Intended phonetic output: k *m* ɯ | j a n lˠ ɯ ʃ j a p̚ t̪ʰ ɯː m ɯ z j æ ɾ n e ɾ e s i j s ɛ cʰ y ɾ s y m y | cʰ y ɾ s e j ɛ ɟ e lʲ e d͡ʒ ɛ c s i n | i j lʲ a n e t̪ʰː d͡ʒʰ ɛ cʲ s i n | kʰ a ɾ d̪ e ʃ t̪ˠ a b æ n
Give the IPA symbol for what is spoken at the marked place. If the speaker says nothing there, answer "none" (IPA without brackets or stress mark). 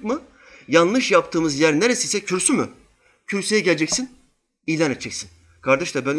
m